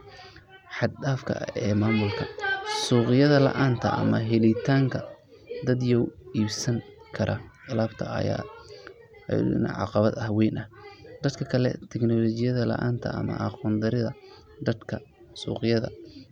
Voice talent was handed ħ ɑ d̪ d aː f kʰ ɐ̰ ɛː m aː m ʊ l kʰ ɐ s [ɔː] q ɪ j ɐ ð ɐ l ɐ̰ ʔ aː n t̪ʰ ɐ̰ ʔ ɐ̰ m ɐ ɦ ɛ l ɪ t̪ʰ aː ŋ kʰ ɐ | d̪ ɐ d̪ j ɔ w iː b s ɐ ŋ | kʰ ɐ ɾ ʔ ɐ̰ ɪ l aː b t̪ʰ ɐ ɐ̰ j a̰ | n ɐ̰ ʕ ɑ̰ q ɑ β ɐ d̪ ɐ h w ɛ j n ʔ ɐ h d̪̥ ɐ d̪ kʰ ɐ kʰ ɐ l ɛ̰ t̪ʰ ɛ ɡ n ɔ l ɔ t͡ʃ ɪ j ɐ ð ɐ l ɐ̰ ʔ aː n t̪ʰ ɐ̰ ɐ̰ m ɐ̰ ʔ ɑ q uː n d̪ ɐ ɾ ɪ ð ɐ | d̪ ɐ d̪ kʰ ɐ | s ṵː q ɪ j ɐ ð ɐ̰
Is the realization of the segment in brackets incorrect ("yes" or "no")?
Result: yes